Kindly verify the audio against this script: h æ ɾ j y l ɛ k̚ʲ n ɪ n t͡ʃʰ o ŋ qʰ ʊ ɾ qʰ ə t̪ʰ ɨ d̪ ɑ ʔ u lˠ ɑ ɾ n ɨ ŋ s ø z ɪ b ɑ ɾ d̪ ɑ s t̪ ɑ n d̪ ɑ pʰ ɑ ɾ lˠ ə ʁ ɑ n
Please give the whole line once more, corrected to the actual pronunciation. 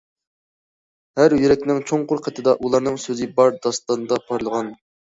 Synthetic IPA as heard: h æ ɾ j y ɾ ɛ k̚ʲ n ɪ ŋ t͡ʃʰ o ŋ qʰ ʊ ɾ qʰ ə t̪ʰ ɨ d̪ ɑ ʔ u lˠ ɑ ɾ n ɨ ŋ s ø z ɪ b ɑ ɾ d̪ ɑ s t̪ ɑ n d̪ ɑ pʰ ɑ ɾ lˠ ə ʁ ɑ n